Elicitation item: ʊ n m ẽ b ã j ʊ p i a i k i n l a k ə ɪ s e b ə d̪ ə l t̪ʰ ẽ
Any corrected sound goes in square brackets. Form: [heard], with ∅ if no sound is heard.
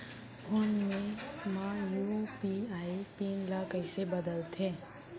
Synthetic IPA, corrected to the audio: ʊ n m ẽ [m] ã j [u] p i a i [p] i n l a k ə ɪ s e b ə d̪ ə l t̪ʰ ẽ